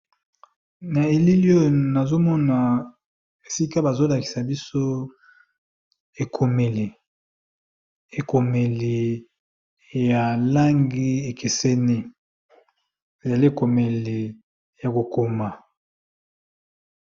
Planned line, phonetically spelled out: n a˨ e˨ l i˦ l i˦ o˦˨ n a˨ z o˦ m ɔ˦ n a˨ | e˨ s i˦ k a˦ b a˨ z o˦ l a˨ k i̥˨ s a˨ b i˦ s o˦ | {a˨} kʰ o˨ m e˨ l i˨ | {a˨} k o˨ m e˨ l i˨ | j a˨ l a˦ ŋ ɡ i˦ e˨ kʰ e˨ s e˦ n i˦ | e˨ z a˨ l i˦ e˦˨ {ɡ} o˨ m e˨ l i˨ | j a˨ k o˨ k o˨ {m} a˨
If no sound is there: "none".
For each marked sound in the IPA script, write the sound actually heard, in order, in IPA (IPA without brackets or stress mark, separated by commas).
e˨, e˨, k, m